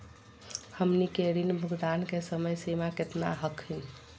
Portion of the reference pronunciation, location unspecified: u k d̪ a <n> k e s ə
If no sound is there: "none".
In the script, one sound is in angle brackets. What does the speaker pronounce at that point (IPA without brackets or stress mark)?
n